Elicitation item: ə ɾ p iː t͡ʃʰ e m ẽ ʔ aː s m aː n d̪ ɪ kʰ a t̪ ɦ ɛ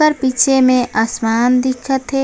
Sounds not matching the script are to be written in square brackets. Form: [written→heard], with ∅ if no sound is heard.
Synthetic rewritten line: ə ɾ p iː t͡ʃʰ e m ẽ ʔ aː s m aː n d̪ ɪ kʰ [a→ə] t̪ ɦ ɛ